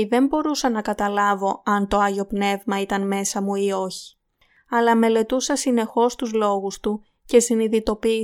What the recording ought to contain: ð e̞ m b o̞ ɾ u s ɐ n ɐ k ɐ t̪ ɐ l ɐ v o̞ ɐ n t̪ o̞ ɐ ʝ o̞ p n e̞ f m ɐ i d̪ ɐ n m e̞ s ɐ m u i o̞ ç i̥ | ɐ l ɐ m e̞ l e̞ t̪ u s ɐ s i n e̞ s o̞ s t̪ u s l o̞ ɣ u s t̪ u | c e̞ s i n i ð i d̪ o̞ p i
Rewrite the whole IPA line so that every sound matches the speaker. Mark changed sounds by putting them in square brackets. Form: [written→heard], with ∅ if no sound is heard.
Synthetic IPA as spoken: ð e̞ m b o̞ ɾ u s ɐ n ɐ k ɐ t̪ ɐ l ɐ v o̞ ɐ n t̪ o̞ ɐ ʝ o̞ p n e̞ [f→v] m ɐ i [d̪→t̪] ɐ n m e̞ s ɐ m u i o̞ ç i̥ | ɐ l ɐ m e̞ l e̞ t̪ u s ɐ s i n e̞ [s→x] o̞ s t̪ u [s→z] l o̞ ɣ u s t̪ u | c e̞ s i n i ð i [d̪→t̪] o̞ p i